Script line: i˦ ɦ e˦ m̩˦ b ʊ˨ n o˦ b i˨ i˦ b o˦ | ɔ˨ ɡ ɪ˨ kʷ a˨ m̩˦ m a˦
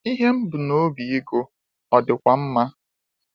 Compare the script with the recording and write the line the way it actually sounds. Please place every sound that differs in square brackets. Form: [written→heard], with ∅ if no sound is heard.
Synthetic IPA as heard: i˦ ɦ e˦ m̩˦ b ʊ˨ n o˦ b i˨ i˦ [b→ɡ] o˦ | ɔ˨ [ɡ→d] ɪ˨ kʷ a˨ m̩˦ m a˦